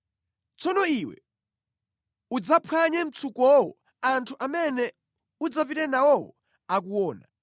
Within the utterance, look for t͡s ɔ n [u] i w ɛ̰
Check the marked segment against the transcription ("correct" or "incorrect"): incorrect